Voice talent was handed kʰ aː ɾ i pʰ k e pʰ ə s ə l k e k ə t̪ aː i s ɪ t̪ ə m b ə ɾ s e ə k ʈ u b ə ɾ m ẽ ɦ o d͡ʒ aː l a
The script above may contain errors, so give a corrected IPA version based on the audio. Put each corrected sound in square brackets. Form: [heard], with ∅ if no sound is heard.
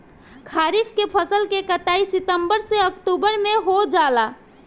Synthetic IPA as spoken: kʰ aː ɾ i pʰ k e pʰ ə s ə l k e k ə t̪ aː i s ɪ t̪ ə m b ə ɾ s e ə k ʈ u b ə ɾ m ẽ ɦ o d͡ʒ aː l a